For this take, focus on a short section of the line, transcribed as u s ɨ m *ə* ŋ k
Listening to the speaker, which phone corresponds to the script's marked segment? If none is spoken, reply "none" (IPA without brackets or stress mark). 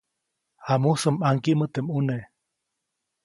a